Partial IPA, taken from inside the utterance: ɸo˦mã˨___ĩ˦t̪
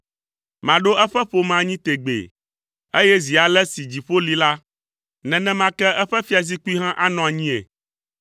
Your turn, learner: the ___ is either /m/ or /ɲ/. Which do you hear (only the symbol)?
ɲ